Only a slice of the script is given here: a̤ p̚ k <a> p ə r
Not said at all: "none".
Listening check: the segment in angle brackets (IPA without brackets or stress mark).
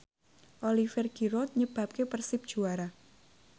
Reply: e